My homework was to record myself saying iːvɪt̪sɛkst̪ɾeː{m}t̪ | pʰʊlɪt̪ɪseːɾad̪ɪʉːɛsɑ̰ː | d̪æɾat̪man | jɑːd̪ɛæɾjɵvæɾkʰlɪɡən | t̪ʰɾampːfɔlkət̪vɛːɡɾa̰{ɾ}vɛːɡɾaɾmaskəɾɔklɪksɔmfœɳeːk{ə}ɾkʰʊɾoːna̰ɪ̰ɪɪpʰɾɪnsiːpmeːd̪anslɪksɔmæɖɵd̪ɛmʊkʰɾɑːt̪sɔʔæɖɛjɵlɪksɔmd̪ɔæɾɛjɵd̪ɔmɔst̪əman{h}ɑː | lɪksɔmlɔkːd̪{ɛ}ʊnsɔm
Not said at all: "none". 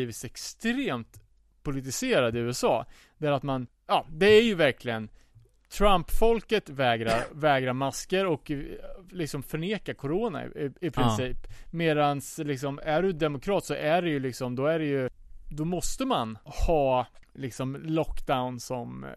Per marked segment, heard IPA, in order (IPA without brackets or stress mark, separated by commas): m, ɾ, a, h, a